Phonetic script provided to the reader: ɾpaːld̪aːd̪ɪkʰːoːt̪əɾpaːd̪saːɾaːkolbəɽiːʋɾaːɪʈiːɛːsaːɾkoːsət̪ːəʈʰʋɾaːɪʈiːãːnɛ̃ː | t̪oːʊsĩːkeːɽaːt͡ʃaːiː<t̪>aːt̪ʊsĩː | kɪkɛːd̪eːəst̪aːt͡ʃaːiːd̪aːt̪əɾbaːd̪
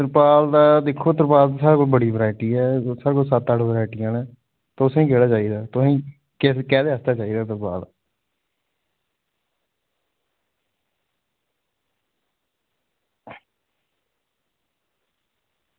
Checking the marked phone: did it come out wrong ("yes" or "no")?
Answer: yes